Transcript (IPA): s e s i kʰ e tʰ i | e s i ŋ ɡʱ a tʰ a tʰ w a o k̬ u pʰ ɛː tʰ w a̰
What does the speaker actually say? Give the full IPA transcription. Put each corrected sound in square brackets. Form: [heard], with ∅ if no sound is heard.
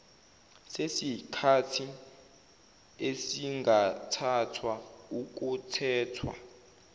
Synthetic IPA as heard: s e s i kʰ [a] tʰ i | e s i ŋ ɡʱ a tʰ a tʰ w a [u] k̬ u [tʰ] ɛː tʰ w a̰